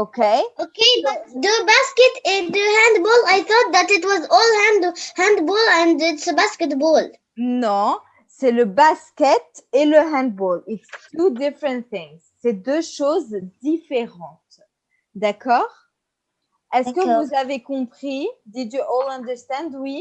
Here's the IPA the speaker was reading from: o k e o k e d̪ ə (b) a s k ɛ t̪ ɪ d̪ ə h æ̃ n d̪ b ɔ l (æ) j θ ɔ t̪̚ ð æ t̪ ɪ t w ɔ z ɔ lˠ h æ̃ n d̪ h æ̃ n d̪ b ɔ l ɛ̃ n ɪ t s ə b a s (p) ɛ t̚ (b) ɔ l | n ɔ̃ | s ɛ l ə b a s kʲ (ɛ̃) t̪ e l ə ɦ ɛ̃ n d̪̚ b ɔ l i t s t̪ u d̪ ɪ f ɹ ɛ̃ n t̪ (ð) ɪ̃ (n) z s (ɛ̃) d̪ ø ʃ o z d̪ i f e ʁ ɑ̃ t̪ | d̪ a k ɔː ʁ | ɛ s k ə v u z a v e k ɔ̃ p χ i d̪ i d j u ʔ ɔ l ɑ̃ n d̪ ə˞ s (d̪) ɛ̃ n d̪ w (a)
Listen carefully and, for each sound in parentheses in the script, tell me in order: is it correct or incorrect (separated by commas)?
correct, incorrect, incorrect, correct, incorrect, incorrect, incorrect, incorrect, incorrect, incorrect